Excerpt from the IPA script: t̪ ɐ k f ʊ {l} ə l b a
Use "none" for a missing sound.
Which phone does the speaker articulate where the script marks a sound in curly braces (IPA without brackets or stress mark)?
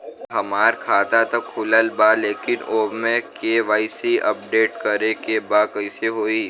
l